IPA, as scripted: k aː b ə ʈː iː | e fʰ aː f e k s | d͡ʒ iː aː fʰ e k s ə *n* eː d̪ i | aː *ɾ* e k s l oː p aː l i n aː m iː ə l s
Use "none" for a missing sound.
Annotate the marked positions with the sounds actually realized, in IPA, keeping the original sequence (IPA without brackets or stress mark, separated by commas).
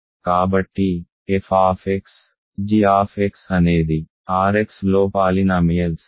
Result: n, ɾ